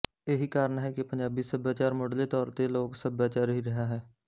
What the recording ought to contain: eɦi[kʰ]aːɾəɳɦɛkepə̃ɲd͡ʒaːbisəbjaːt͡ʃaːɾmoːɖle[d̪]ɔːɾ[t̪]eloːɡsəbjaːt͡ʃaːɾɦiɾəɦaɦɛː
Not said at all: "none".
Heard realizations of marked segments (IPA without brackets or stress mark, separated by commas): k, t̪, t̪